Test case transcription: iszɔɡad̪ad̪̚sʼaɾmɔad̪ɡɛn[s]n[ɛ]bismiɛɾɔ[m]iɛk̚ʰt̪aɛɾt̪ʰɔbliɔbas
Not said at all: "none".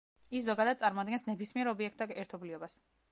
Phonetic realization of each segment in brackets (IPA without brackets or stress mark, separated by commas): s, ɛ, b